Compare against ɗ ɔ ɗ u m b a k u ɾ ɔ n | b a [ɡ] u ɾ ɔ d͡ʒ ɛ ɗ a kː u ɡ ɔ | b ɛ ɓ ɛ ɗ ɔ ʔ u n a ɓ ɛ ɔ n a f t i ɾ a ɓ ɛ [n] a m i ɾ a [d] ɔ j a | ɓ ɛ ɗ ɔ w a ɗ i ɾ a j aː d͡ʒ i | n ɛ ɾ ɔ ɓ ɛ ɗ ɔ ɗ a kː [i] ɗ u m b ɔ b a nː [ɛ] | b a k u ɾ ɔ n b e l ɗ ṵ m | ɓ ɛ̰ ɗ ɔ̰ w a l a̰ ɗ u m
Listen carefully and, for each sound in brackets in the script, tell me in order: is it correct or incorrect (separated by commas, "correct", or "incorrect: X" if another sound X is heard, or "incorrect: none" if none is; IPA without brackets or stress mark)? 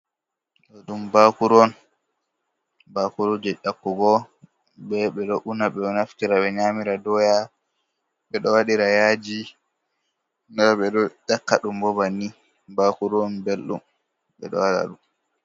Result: incorrect: k, incorrect: ɲ, correct, incorrect: a, incorrect: i